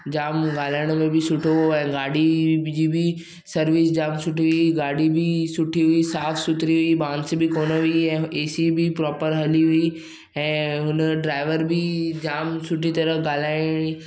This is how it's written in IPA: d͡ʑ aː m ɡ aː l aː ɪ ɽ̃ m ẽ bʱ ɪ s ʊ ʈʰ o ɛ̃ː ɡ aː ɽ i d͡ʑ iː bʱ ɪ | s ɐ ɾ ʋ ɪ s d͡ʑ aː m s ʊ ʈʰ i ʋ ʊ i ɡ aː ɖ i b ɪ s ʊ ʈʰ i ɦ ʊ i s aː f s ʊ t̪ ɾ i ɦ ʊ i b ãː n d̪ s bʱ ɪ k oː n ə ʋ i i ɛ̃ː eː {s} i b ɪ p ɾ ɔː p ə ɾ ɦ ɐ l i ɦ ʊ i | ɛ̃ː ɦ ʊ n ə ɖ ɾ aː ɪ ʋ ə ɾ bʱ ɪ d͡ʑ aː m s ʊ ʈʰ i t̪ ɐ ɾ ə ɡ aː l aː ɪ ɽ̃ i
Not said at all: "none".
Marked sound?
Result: s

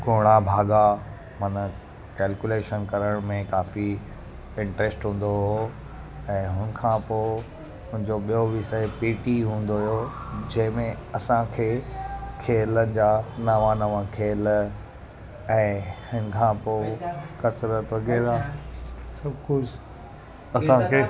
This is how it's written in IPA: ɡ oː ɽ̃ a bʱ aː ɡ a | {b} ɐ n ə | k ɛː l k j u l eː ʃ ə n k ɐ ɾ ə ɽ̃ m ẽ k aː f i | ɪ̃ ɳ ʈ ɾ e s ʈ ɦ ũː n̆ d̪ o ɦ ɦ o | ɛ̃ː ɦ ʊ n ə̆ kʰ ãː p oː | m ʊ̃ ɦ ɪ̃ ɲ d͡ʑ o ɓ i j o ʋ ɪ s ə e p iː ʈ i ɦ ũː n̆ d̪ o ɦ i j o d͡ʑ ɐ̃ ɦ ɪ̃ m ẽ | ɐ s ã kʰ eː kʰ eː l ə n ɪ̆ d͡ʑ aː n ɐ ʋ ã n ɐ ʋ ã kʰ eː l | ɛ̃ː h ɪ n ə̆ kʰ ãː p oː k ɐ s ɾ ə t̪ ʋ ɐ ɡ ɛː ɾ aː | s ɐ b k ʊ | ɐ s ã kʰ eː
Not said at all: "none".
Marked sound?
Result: m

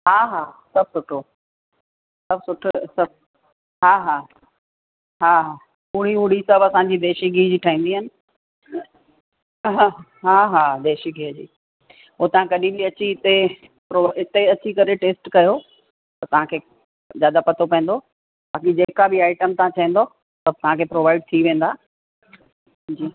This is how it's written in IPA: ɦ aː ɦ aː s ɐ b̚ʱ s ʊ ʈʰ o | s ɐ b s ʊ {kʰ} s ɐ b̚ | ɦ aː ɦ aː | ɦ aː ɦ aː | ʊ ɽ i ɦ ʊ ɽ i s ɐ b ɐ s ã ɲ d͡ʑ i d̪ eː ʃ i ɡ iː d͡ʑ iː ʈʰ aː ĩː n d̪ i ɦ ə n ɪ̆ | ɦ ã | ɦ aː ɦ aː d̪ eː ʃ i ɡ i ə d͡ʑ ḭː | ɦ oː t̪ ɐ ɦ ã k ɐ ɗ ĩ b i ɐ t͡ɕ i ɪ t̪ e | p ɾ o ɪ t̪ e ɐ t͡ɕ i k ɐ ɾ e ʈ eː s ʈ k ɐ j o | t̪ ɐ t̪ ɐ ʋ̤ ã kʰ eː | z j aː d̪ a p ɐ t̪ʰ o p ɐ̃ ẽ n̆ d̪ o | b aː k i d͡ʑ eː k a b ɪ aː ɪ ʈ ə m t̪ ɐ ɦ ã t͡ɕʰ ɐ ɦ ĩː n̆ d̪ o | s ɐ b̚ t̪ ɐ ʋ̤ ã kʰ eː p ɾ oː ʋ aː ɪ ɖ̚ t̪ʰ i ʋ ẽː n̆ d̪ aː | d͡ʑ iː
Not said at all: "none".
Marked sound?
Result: ʈʰ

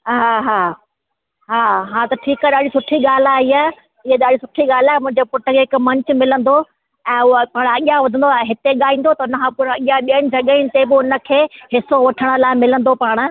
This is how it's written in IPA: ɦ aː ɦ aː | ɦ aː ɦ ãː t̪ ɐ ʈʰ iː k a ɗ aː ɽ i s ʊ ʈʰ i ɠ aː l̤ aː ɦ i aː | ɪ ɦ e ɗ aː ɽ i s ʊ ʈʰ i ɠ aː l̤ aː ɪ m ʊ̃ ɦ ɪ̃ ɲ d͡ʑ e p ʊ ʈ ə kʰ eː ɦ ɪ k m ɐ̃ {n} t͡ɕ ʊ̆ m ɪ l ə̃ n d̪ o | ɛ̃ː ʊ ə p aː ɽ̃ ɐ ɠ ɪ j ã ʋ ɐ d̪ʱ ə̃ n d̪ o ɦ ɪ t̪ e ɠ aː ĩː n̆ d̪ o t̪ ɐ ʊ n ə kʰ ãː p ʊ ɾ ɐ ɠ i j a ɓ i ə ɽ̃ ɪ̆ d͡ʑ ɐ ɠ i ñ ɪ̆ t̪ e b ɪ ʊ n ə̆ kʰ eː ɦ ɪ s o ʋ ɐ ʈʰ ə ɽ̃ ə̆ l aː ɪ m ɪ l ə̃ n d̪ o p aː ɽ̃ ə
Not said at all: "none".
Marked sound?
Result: ɲ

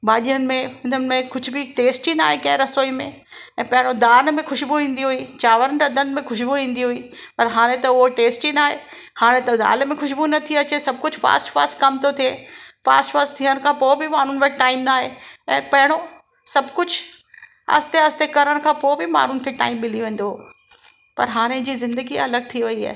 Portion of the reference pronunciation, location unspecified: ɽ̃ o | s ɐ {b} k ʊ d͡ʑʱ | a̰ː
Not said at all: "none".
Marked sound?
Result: b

